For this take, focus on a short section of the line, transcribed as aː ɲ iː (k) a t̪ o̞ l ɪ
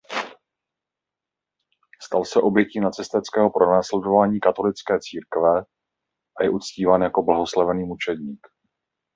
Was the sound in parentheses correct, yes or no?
yes